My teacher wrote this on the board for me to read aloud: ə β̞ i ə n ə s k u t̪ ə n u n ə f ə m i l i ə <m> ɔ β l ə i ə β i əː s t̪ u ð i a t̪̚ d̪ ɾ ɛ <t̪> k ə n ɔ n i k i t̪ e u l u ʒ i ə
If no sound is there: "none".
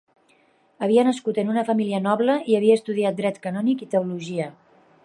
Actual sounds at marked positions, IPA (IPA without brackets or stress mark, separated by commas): n, t̪